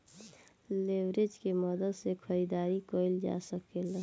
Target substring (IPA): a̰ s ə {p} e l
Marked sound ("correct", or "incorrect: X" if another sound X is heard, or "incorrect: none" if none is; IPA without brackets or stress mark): incorrect: k